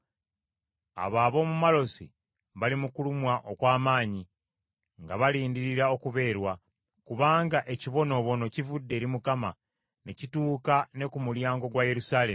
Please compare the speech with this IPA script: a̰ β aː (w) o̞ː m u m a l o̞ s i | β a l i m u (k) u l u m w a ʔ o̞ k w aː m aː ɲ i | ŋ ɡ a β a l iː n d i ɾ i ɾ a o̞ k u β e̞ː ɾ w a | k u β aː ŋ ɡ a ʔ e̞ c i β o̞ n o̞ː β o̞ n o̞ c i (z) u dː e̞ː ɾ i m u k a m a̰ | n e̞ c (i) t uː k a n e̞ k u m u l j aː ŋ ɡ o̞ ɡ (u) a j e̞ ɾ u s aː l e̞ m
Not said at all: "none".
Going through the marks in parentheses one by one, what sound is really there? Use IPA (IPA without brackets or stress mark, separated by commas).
β, k, v, i, w